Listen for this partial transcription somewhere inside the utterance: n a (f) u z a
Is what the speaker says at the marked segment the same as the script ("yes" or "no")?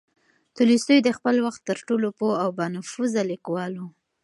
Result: yes